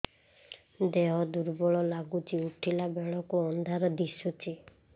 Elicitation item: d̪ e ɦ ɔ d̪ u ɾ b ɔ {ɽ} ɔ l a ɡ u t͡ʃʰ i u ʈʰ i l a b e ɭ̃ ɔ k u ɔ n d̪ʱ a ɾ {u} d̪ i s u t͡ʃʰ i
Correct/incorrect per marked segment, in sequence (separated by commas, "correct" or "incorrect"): incorrect, incorrect